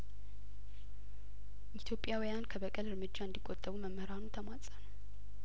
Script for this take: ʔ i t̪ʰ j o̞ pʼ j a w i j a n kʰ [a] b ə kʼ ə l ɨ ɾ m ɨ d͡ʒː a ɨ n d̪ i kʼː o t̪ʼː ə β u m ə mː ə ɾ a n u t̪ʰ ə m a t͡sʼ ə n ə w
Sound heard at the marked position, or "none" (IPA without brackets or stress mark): ə